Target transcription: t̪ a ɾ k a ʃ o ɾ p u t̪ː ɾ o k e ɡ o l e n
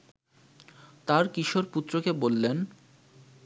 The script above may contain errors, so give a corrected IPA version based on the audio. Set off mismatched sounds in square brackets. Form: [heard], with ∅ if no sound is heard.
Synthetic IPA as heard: t̪ a ɾ k [i] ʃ o ɾ p u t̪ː ɾ o k e [b] o [lː] e n

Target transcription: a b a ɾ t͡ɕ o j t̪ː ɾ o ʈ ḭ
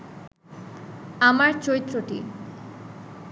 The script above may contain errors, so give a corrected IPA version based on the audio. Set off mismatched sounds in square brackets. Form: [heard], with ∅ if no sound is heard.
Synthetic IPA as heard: a [m] a ɾ t͡ɕ o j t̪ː ɾ o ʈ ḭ

